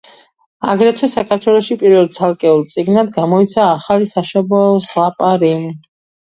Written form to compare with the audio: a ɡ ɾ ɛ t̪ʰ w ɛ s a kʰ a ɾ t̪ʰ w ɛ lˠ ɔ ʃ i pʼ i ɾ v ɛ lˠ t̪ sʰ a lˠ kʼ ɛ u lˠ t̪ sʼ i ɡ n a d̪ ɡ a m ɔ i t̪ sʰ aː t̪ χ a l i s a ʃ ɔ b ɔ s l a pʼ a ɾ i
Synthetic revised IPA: a ɡ ɾ ɛ t̪ʰ w ɛ s a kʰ a ɾ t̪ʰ w ɛ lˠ ɔ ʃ i pʼ i ɾ v ɛ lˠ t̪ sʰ a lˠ kʼ ɛ u lˠ t̪ sʼ i ɡ n a d̪ ɡ a m ɔ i t̪ sʰ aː χ a l i s a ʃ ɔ b ɔ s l a pʼ a ɾ i